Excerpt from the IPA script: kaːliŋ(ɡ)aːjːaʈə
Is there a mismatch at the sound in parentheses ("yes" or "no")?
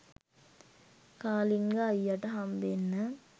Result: no